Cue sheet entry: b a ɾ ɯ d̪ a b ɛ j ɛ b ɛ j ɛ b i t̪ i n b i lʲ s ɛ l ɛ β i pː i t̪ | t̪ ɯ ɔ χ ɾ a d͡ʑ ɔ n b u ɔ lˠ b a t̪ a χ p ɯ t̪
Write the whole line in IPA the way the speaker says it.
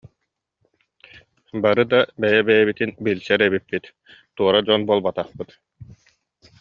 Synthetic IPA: b a ɾ ɯ d̪ a b ɛ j ɛ b ɛ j ɛ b i t̪ i n b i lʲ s ɛ ɾ ɛ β i pː i t̪ | t̪ u ɔ ɾ a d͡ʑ ɔ n b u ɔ lˠ b a t̪ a χ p ɯ t̪